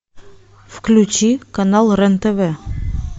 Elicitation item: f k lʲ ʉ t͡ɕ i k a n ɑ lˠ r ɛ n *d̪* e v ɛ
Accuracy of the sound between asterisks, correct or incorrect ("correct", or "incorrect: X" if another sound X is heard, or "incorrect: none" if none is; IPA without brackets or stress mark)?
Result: incorrect: t̪